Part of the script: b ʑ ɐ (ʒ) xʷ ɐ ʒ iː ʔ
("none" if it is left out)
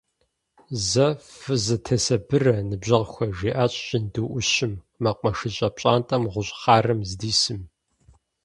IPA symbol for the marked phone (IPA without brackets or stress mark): ʁ